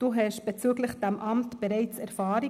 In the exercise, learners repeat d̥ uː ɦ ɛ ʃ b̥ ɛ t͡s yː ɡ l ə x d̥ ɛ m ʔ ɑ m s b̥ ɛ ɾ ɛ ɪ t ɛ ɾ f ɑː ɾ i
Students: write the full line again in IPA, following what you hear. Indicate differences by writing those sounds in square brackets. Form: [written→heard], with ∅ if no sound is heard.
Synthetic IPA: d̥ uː ɦ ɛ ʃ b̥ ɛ t͡s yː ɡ l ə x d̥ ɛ m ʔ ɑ m [s→t] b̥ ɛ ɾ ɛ ɪ [t→t͡s] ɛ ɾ f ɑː ɾ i

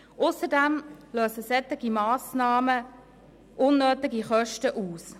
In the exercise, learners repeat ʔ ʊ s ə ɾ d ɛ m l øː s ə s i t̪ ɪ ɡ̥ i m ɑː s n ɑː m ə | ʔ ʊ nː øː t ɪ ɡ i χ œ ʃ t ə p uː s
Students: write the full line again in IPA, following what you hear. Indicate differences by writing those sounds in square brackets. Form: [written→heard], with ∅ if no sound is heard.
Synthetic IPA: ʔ ʊ s ə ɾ d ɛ m l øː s ə s [i→ɛ] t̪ ɪ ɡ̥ i m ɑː s n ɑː m ə | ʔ ʊ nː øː t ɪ ɡ i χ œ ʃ t ə [p→ʔ] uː s

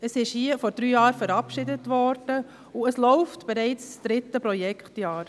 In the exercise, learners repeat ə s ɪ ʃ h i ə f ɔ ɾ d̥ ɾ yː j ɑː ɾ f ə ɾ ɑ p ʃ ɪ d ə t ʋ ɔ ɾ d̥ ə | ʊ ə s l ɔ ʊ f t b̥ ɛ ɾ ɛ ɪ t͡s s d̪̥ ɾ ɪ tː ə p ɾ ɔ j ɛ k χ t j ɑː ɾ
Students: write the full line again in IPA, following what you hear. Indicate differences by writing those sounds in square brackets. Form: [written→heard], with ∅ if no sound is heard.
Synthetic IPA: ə s ɪ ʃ h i ə f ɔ ɾ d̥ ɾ yː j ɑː ɾ f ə ɾ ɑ p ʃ ɪ d ə t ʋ ɔ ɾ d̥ ə | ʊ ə s l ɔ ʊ f t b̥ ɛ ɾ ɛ ɪ t͡s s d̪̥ ɾ ɪ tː ə p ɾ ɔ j ɛ k χ t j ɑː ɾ

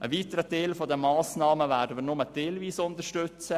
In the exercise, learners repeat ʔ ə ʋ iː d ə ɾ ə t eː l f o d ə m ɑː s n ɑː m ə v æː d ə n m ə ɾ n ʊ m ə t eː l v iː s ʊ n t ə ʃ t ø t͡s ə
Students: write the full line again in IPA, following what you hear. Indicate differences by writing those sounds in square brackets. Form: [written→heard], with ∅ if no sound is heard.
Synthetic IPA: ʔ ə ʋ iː [d→t] ə ɾ ə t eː l f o d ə m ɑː s n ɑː m ə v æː d ə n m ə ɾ n ʊ m ə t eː l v iː s ʊ n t ə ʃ t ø t͡s ə

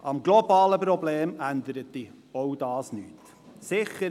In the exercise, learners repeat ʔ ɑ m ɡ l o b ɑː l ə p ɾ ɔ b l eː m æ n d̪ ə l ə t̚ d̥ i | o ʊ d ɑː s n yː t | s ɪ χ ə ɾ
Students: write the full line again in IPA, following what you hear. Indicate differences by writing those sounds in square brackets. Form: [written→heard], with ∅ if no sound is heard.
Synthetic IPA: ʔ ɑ m ɡ l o b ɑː l ə p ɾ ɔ b l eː m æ n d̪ ə [l→ɾ] ə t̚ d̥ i | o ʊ d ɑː s n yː t | s ɪ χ ə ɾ

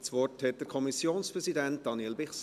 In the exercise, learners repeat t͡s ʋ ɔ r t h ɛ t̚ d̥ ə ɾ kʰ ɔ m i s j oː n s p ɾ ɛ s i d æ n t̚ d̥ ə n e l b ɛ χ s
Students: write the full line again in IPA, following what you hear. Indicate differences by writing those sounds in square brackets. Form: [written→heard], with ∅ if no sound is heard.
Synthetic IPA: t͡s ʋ ɔ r t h ɛ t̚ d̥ ə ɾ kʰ ɔ m i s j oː n s p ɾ ɛ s i d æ n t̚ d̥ [ə→ɑ] n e l b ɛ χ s

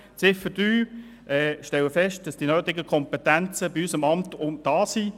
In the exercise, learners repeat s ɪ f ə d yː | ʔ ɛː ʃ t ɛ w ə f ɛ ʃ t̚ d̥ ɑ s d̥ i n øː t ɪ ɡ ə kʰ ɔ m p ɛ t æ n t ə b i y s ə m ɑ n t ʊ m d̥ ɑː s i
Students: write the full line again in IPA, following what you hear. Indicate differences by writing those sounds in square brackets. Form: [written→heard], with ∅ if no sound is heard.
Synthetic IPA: [s→t͡s] ɪ f ə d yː | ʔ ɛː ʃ t ɛ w ə f ɛ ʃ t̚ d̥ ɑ s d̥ i n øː t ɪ ɡ ə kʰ ɔ m p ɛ t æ n [t→t͡s] ə b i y s ə m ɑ [n→m] t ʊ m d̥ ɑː s i

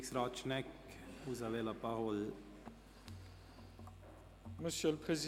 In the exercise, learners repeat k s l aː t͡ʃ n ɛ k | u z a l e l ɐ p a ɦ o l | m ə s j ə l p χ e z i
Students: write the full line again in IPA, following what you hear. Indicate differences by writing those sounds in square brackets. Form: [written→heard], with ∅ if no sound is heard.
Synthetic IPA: k s [l→ɾ] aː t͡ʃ n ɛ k | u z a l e l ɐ p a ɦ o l | m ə s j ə l p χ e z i

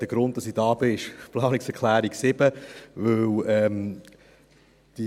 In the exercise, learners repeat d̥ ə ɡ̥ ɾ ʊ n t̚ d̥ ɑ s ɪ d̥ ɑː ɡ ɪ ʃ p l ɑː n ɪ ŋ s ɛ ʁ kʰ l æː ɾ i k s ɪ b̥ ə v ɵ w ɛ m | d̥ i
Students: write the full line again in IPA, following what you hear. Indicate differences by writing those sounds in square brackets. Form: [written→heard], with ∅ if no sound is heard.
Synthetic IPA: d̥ ə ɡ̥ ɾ ʊ n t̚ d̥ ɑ s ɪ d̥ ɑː [ɡ→b] ɪ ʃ p l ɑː n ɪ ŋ s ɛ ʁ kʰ l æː ɾ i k s ɪ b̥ ə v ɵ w ɛ m | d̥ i

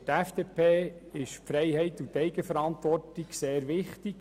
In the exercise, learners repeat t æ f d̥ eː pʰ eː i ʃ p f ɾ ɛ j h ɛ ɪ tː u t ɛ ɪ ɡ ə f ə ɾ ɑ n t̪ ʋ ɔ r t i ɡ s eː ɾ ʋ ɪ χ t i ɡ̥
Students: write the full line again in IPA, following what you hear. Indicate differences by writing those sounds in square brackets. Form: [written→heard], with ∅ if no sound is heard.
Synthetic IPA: t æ f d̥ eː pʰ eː [i→ɪ] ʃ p f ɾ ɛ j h ɛ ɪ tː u t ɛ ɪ ɡ ə f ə ɾ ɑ n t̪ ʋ ɔ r t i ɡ s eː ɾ ʋ ɪ χ t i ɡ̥

